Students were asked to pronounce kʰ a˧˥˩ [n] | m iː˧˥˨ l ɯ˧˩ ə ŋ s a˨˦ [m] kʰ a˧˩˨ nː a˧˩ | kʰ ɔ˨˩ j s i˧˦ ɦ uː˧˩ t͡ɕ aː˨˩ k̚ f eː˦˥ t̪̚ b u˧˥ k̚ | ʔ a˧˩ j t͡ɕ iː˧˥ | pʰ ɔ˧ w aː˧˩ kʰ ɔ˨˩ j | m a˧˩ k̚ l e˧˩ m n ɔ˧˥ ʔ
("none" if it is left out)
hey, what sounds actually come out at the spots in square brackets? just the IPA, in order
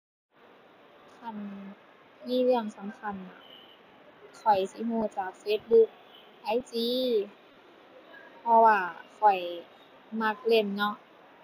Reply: n, m

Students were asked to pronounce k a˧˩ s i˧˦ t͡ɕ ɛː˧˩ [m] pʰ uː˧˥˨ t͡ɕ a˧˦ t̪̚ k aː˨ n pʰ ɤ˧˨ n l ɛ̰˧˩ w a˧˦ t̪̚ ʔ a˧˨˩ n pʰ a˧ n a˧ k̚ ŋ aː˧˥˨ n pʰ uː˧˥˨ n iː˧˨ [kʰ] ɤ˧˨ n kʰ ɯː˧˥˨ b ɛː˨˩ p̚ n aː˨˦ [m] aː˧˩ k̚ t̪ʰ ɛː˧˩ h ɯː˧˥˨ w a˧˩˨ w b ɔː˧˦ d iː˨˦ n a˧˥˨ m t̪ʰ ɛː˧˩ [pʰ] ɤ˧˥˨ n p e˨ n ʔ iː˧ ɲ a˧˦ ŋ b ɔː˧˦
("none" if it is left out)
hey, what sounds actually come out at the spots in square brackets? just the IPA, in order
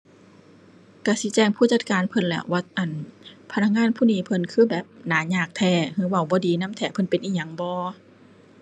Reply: ŋ, pʰ, ɲ, pʰ

